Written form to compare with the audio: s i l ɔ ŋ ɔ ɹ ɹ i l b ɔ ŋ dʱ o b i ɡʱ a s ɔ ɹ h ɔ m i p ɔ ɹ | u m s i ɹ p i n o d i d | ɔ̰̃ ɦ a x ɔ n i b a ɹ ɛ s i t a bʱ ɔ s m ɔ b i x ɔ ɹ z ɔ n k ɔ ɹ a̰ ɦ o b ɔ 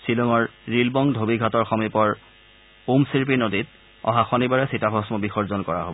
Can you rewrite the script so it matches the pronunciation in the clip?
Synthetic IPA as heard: s i l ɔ ŋ ɔ ɹ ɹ i l b ɔ ŋ dʱ o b i ɡʱ a t ɔ ɹ x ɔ m i p ɔ ɹ | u m s i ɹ p i n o d i t | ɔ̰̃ ɦ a x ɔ n i b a ɹ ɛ s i t a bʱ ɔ s m ɔ b i x ɔ ɹ z ɔ n k ɔ ɹ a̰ ɦ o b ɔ